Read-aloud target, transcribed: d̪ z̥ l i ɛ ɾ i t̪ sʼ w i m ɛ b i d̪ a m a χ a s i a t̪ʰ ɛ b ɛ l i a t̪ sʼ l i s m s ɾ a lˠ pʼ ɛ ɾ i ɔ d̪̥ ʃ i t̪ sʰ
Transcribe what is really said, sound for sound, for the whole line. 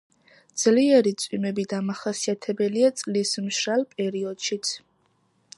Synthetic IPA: d̪ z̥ l i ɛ ɾ i t̪ sʼ w i m ɛ b i d̪ a m a χ a s i a t̪ʰ ɛ b ɛ l i a t̪ sʼ l i s m ʃ ɾ a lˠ pʼ ɛ ɾ i ɔ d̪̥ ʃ i t̪ sʰ